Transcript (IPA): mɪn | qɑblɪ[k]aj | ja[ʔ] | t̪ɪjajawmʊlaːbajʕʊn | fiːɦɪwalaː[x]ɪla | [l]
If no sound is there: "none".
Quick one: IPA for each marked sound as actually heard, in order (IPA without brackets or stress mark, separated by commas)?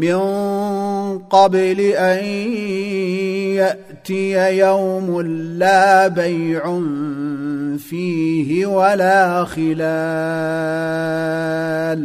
ʔ, ʔ, x, l